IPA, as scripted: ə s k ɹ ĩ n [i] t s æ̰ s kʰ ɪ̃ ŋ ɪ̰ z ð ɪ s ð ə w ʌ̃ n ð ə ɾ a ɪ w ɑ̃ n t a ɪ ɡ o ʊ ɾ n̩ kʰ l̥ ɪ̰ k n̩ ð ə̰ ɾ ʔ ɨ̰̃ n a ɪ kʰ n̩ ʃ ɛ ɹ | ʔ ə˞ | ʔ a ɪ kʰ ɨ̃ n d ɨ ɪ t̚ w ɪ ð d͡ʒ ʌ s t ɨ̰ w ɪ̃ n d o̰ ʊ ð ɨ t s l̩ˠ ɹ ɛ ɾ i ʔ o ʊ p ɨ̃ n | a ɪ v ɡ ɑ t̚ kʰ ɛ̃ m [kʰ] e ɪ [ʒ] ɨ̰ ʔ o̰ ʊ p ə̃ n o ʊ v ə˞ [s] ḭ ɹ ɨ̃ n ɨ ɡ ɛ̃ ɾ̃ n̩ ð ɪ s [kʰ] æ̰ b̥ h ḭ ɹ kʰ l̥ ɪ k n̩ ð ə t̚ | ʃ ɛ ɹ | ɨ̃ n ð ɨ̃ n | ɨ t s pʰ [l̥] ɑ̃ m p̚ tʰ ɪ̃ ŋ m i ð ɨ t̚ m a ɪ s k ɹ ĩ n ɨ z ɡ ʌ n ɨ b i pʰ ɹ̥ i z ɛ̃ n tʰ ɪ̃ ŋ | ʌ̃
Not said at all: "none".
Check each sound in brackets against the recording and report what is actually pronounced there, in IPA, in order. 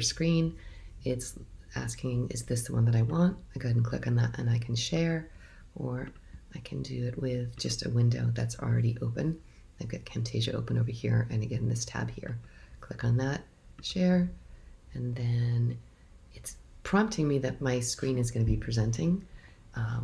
ɪ, tʰ, ʒ, h, tʰ, ɹ̥

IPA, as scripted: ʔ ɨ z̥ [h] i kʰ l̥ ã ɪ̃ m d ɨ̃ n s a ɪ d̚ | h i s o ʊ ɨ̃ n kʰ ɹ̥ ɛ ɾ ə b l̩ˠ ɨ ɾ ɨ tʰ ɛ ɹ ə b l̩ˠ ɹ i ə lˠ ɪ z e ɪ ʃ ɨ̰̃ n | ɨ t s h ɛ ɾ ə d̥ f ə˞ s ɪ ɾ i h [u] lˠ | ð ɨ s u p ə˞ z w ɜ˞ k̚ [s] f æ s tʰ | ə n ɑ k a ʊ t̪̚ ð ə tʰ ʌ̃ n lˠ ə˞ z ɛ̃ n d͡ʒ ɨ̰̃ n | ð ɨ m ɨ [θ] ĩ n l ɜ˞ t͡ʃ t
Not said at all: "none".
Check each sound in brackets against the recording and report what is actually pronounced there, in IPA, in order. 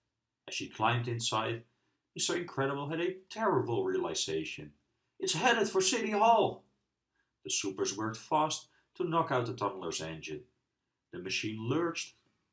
ʃ, ɔ, t, ʃ

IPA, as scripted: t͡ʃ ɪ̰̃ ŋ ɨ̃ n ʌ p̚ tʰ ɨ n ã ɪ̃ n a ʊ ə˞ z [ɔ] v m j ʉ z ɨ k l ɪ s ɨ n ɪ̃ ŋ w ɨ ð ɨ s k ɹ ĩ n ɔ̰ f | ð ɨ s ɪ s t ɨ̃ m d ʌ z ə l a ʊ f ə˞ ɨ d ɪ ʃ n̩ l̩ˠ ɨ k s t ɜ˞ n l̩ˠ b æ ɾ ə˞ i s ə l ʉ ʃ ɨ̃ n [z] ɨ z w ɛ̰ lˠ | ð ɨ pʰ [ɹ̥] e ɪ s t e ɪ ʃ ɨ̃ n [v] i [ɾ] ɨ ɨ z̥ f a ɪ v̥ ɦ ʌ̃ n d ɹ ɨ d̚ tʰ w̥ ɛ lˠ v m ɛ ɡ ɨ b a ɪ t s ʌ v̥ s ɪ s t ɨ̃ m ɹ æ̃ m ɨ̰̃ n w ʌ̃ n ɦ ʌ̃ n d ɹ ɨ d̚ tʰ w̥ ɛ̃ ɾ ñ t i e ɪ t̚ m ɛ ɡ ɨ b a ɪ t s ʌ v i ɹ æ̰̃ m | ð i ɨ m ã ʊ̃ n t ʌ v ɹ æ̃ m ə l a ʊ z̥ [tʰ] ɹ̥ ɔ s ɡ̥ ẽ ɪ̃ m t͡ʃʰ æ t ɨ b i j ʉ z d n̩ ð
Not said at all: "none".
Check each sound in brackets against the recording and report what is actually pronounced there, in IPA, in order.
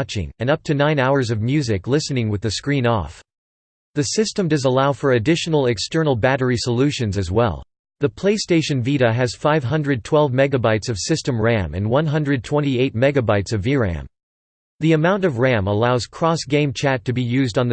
ʌ, z, l̥, v, ɾ, kʰ

